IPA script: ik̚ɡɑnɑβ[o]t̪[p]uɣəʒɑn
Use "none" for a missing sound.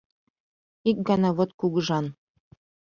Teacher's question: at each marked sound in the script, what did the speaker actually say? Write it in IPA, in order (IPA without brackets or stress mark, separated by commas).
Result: o, k